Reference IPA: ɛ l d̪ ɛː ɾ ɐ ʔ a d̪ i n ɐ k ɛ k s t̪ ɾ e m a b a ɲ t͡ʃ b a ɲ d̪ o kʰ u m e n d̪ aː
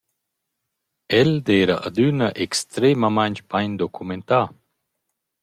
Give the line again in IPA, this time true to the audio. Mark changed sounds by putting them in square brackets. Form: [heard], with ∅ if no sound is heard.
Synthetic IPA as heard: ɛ l d̪ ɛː ɾ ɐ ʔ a d̪ [y] n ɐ [ʔ] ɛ k s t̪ ɾ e m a [m] a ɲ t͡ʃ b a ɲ d̪ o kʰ u m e n [t̪] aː